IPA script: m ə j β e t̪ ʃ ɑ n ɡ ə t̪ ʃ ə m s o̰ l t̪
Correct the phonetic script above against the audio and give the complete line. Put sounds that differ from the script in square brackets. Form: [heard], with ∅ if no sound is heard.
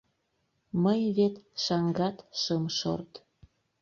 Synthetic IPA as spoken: m ə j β e t̪ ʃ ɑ [ŋ] ɡ [ɑ] t̪ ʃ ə m [ʃ] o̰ [r] t̪